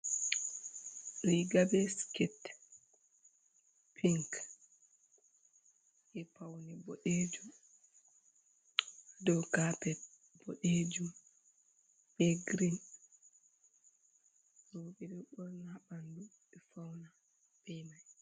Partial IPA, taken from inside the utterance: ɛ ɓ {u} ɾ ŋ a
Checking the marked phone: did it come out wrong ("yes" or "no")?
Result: yes